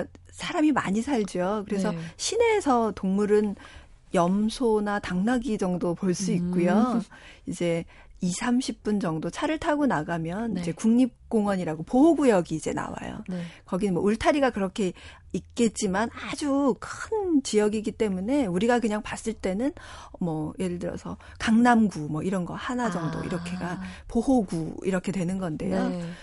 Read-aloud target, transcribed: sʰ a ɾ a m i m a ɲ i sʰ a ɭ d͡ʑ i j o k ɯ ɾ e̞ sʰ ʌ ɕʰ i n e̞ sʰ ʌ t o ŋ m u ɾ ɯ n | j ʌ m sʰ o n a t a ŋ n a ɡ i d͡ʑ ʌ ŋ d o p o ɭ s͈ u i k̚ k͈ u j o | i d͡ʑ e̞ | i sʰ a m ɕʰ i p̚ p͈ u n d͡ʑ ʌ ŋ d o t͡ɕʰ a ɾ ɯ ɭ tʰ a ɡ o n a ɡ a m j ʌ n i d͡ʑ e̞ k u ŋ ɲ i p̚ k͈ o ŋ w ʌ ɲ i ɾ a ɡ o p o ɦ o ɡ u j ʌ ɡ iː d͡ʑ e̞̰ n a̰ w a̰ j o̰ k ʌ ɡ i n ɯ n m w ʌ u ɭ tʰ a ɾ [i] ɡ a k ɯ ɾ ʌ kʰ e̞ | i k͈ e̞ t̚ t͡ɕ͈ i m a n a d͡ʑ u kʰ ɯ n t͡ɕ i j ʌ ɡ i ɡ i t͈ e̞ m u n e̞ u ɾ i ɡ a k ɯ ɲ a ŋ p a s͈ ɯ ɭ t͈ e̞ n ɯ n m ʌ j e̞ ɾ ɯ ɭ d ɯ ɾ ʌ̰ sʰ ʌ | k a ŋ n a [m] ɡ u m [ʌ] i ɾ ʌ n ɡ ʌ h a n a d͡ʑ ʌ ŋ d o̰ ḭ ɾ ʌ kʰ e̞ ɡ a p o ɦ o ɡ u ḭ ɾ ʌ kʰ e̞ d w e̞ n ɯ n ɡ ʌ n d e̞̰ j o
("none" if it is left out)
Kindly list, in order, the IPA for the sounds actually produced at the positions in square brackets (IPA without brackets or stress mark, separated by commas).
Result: i, m, ʌ